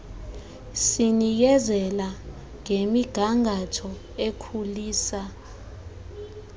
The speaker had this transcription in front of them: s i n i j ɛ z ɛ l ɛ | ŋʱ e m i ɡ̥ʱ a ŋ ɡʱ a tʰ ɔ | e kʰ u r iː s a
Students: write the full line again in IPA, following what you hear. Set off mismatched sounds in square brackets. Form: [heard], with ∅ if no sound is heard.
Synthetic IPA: s i n i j ɛ z ɛ l [a] | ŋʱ e m i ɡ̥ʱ a ŋ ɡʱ a tʰ ɔ | e kʰ u [l] iː s a